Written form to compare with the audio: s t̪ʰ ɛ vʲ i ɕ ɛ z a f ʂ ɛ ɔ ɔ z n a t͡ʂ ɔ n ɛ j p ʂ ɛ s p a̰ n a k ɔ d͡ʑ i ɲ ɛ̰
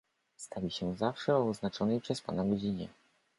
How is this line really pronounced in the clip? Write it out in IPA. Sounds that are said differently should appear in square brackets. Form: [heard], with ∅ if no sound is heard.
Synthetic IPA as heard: s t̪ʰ [a] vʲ i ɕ ɛ z a f ʂ ɛ ɔ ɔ z n a t͡ʂ ɔ n ɛ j p ʂ ɛ s p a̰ n a [ɡ] ɔ d͡ʑ i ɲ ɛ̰